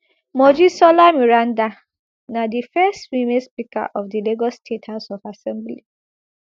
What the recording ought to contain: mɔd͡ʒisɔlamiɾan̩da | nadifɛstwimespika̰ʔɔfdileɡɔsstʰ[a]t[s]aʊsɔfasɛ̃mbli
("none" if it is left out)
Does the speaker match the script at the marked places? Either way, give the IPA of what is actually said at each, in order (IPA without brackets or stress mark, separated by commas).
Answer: e, h